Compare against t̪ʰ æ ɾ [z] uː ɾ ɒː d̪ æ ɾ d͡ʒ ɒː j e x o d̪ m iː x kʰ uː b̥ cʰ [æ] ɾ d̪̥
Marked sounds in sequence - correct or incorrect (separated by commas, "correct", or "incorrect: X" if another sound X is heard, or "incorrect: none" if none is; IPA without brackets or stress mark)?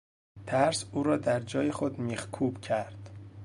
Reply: incorrect: s, correct